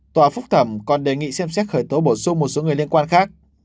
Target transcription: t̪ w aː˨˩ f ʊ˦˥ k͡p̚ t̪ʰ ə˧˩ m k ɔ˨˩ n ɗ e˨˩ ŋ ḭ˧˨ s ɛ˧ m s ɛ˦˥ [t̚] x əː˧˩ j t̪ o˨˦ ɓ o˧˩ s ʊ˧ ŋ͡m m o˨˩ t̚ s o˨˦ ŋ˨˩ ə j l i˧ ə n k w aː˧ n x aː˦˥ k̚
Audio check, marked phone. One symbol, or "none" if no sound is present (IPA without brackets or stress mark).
t̚